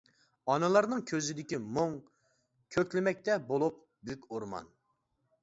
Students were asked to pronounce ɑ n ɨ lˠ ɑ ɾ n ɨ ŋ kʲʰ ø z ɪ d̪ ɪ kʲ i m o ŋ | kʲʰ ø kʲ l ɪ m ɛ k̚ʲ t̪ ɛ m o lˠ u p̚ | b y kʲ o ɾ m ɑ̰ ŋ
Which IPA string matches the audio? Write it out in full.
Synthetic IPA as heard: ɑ n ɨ lˠ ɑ ɾ n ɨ ŋ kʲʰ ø z ɪ d̪ ɪ kʲ i m o ŋ | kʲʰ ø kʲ l ɪ m ɛ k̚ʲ t̪ ɛ b o lˠ u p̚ | b y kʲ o ɾ m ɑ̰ n

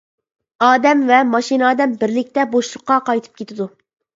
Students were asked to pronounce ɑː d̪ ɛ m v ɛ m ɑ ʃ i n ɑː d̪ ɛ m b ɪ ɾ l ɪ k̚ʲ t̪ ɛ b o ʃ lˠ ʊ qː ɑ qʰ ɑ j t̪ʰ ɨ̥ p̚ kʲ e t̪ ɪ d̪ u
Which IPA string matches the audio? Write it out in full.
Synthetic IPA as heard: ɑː d̪ ɛ m v ɛ m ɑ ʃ i n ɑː d̪ ɛ m b ɪ ɾ l ɪ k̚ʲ t̪ ɛ b o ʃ lˠ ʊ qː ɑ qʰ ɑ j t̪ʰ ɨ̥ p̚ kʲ e t̪ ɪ d̪ u

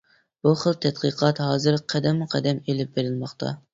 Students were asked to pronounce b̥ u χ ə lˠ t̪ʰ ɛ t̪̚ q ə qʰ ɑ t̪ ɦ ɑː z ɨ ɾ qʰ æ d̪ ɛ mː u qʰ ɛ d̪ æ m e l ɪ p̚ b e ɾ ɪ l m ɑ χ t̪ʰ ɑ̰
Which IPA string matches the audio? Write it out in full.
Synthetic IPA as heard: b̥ u χ ə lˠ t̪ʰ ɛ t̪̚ q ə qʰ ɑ t̪ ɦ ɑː z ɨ ɾ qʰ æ d̪ ɛ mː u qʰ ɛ d̪ ɛ m e l ɪ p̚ b e ɾ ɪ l m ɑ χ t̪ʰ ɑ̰

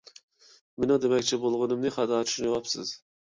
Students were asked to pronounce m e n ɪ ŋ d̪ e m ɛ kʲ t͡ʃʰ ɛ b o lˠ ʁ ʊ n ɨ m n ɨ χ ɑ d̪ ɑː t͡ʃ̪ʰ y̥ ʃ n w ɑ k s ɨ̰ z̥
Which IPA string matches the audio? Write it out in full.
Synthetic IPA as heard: m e n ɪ ŋ d̪ e m ɛ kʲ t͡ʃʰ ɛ b o lˠ ʁ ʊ n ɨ m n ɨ χ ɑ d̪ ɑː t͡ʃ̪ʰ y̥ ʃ n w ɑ p s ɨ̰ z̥

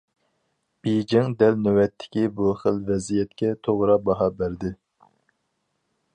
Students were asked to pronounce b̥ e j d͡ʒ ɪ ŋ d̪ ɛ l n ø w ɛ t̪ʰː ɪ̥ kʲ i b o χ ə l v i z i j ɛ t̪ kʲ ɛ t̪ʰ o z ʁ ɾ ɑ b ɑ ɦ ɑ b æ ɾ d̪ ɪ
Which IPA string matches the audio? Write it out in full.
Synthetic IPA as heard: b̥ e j d͡ʒ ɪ ŋ d̪ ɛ l n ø w ɛ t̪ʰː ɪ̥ kʲ i b u χ ə l v ɛ z i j ɛ t̪ kʲ ɛ t̪ʰ o ʁ ɾ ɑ b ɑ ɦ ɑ b æ ɾ d̪ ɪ

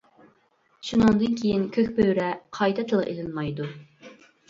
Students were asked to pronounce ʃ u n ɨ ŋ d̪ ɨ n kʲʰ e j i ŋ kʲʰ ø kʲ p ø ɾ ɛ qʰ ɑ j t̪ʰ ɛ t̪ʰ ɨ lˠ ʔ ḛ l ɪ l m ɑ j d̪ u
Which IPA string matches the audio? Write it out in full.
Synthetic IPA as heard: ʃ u n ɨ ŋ d̪ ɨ n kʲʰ e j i n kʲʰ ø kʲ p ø ɾ ɛ qʰ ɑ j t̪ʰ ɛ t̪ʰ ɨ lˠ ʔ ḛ l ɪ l m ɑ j d̪ u

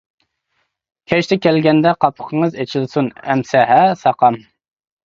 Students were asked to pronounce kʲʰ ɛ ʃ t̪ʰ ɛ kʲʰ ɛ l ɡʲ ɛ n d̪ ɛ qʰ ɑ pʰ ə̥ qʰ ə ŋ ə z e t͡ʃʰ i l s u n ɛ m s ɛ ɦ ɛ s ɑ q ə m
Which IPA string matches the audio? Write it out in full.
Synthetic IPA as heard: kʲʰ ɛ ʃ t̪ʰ ɛ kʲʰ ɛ l ɡʲ ɛ n d̪ ɛ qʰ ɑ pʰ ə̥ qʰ ə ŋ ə z e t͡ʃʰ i l s u n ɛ m s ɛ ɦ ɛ s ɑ q ɑ m

